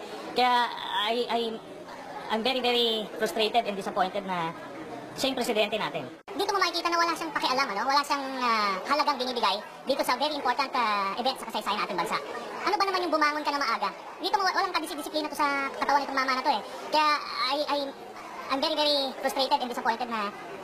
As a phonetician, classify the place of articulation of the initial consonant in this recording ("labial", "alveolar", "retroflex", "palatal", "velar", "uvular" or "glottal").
velar